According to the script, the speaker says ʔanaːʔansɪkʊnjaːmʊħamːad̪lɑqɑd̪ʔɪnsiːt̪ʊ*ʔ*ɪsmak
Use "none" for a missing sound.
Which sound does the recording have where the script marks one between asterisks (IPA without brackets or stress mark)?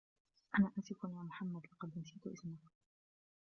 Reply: ʔ